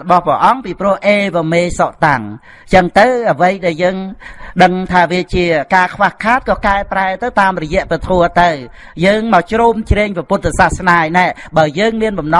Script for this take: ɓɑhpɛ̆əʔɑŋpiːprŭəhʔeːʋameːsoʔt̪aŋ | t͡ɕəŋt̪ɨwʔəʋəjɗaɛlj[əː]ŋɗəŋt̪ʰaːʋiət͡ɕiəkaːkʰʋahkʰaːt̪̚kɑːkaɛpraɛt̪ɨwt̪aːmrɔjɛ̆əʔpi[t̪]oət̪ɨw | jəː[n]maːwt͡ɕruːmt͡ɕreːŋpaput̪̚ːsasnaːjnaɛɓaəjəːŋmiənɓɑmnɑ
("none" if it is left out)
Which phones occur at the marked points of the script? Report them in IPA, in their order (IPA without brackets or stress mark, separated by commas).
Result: əː, t̪ʰ, ŋ